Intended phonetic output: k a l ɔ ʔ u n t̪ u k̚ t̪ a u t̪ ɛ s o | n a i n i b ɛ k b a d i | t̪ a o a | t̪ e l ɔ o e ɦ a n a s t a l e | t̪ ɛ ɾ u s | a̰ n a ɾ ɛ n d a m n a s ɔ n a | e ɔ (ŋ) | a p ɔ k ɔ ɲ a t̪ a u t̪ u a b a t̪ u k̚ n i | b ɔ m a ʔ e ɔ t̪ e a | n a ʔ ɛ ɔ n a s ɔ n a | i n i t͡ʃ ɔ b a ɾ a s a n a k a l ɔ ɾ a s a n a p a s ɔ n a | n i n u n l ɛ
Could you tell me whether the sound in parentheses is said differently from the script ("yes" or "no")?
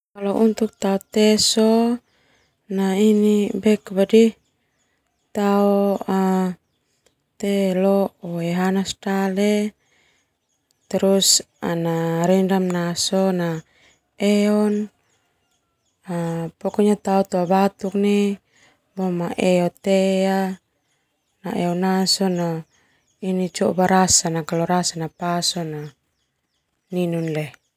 yes